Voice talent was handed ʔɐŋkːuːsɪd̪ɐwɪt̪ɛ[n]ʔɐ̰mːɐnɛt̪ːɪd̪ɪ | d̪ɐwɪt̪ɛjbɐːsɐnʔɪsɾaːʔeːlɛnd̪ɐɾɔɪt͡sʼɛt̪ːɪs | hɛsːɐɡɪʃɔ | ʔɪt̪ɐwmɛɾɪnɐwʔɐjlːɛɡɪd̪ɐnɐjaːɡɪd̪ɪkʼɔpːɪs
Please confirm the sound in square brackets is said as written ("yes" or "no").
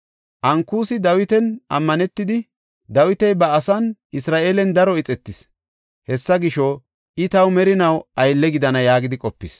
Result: yes